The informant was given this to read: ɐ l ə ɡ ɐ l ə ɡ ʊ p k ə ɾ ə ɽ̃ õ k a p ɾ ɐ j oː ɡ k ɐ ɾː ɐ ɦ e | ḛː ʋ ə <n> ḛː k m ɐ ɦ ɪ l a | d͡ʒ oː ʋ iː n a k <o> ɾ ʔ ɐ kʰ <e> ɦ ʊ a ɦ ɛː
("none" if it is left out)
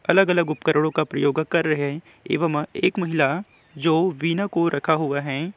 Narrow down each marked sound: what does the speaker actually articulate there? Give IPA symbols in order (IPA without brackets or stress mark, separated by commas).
m, o, a